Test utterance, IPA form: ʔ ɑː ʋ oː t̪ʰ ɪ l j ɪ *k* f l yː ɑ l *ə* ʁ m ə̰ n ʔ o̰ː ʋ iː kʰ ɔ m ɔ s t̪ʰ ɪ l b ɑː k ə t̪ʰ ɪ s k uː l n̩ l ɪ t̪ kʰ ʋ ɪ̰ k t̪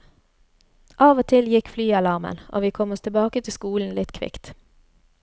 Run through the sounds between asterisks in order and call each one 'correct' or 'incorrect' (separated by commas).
correct, incorrect